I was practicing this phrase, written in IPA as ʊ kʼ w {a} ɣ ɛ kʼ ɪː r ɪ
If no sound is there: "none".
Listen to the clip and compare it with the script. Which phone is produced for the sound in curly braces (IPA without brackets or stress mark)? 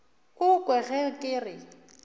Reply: ɛ